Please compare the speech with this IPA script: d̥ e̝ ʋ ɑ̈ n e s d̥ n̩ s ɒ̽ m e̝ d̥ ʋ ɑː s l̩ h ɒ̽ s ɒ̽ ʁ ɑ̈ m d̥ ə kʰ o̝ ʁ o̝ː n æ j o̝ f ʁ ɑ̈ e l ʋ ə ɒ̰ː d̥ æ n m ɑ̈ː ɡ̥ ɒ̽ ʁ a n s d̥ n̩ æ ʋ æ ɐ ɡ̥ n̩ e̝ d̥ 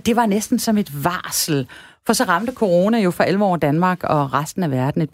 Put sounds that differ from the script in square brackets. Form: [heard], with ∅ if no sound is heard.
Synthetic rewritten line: d̥ e̝ ʋ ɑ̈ n e s d̥ n̩ s ɒ̽ m e̝ d̥ ʋ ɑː s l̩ [f] ɒ̽ s ɒ̽ ʁ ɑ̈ m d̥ ə kʰ o̝ ʁ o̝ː n æ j o̝ f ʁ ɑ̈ e l ʋ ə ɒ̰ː d̥ æ n m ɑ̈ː ɡ̥ ɒ̽ ʁ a [∅] s d̥ n̩ æ ʋ æ ɐ [d̥] n̩ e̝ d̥